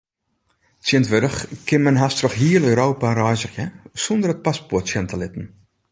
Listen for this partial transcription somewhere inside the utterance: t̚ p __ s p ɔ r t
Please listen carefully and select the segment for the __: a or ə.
a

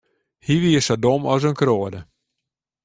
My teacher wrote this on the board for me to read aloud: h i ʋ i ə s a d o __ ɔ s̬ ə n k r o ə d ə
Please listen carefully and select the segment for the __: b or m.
m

